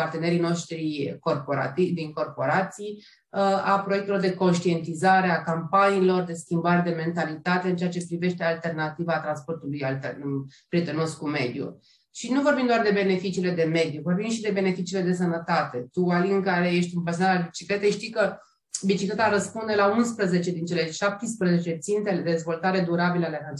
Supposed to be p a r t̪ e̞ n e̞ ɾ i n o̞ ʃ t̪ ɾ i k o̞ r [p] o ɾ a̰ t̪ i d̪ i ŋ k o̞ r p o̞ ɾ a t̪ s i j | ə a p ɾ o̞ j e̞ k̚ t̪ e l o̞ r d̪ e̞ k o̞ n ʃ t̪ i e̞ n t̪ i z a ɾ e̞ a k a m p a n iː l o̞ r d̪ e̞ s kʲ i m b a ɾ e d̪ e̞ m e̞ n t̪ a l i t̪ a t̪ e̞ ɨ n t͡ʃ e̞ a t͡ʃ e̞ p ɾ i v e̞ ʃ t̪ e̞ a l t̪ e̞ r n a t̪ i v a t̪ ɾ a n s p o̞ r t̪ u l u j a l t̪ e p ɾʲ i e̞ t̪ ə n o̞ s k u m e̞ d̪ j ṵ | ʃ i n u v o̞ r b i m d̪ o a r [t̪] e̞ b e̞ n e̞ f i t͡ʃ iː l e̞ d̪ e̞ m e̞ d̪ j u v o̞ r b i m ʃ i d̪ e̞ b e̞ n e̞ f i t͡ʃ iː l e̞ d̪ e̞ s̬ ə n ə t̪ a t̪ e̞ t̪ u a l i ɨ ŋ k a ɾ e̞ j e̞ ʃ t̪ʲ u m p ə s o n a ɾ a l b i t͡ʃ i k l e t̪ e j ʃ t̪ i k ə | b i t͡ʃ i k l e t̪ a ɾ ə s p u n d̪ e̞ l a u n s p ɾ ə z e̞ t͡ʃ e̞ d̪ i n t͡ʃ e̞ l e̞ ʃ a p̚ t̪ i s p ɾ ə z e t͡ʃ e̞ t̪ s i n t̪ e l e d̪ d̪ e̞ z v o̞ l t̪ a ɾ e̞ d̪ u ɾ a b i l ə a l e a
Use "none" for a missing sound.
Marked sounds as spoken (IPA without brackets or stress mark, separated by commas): p, d̪